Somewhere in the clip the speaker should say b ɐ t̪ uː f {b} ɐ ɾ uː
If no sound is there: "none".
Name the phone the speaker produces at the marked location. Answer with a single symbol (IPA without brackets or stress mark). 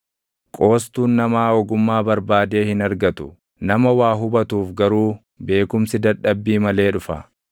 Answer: ɡ